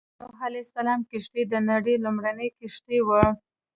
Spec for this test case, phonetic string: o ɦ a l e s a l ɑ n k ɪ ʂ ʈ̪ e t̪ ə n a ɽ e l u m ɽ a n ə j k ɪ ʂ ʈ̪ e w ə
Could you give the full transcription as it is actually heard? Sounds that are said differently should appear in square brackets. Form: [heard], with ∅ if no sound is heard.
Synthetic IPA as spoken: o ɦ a l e s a l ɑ [m] k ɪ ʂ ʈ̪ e [d̪] ə n a ɽ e l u m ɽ a n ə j k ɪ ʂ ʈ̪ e w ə

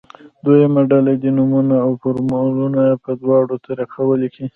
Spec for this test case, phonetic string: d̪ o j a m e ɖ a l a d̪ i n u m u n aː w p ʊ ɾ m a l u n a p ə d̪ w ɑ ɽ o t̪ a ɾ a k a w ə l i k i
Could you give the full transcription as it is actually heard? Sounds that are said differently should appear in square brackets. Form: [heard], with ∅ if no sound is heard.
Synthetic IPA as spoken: d̪ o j a m [a] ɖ a l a d̪ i n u m u n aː w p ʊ ɾ m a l u n a p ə d̪ w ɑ ɽ o t̪ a ɾ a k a w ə l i k i

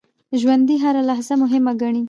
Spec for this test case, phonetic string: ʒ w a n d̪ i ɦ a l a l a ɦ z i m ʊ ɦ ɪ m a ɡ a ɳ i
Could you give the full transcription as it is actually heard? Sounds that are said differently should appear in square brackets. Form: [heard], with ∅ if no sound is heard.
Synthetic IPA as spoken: ʒ w a n d̪ i ɦ a [ɾ] a l a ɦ z [a] m ʊ ɦ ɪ m a ɡ a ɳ i

